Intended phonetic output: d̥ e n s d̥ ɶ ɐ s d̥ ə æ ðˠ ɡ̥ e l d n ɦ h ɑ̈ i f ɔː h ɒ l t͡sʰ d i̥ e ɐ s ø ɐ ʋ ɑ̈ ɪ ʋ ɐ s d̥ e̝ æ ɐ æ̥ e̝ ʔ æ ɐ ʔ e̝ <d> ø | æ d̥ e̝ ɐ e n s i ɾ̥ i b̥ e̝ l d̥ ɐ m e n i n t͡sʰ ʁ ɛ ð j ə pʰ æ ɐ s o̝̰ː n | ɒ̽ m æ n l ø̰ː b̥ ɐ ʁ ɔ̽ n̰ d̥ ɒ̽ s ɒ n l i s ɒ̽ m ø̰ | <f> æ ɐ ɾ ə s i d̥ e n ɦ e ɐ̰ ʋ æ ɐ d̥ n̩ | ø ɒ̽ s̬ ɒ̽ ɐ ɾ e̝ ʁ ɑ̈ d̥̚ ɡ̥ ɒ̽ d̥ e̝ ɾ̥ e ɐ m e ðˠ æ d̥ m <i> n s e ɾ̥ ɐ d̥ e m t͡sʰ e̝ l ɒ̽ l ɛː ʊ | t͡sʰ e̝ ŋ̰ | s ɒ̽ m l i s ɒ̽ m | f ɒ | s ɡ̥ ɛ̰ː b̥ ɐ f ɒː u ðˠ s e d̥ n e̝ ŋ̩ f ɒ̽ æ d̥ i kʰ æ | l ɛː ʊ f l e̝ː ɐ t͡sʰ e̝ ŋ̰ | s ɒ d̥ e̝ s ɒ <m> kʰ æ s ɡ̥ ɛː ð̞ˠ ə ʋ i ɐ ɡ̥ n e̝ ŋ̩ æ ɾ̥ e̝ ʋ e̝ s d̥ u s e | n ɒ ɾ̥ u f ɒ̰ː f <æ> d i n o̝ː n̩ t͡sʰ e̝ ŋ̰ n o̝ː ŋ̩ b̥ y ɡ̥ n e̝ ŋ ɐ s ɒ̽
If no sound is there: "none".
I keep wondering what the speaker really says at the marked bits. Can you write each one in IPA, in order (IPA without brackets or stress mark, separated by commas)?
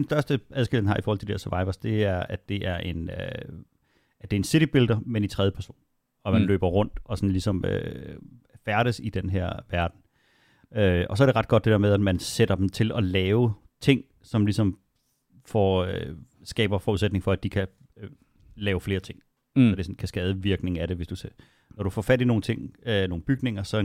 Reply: n, f, æ, n, æ